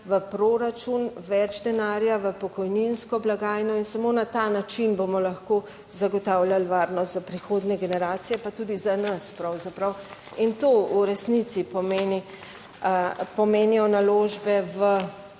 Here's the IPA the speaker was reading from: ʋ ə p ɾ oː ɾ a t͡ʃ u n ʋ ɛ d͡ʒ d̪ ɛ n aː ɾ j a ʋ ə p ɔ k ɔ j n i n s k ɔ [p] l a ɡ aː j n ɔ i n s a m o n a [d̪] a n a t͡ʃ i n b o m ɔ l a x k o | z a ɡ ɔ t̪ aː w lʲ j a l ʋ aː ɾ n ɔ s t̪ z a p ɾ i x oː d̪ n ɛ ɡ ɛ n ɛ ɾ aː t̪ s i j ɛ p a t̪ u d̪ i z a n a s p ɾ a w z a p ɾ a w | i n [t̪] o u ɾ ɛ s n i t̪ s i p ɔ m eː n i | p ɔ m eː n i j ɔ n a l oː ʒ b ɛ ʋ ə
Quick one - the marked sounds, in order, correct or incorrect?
incorrect, incorrect, correct

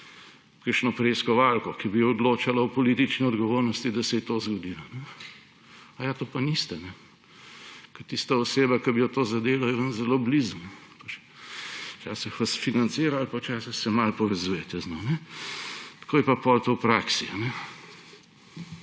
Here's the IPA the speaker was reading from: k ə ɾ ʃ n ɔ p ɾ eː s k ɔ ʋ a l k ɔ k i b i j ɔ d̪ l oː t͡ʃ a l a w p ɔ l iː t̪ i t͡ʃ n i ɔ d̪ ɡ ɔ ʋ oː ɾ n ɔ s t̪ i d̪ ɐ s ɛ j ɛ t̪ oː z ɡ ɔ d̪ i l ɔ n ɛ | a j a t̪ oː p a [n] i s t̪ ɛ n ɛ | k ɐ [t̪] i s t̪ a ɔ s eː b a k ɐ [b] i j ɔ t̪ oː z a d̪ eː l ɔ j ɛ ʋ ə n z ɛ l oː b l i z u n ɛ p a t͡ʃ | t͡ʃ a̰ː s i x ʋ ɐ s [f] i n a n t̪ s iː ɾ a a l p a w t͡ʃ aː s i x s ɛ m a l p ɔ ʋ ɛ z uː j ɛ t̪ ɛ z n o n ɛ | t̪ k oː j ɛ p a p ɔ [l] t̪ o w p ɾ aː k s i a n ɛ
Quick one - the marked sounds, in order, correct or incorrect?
correct, correct, correct, correct, correct

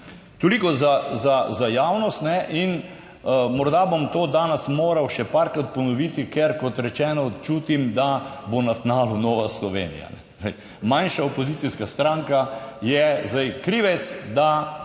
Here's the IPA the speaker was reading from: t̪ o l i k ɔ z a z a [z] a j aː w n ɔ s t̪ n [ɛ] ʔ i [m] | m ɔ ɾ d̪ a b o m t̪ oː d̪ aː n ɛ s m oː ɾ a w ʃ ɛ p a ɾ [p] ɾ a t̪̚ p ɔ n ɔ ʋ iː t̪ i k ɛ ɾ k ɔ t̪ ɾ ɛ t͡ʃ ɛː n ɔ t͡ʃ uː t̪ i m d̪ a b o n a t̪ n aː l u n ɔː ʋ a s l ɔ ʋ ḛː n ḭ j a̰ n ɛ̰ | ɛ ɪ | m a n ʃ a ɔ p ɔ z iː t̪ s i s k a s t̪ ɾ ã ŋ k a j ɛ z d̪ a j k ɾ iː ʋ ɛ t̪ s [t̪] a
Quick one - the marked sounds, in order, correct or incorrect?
correct, correct, incorrect, incorrect, incorrect

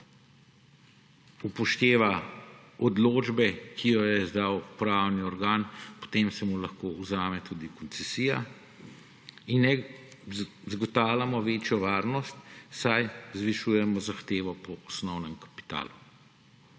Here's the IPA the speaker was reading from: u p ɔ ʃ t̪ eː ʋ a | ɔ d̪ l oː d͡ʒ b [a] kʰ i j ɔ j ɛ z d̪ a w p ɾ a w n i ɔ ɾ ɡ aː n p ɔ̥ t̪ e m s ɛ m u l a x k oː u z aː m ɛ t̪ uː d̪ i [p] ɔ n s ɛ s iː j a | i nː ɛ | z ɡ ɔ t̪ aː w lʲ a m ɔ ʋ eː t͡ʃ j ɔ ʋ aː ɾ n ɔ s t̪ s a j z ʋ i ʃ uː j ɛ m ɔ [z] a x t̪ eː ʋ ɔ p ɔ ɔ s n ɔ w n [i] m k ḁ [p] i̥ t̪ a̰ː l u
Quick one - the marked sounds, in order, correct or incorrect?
incorrect, incorrect, correct, incorrect, correct

